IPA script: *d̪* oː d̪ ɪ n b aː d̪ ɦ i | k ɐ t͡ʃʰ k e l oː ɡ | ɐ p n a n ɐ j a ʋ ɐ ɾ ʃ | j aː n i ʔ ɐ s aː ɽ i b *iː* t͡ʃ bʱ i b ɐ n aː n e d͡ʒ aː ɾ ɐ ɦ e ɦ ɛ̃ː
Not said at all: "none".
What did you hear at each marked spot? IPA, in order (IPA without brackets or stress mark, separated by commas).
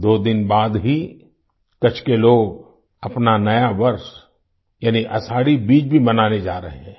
d̪, iː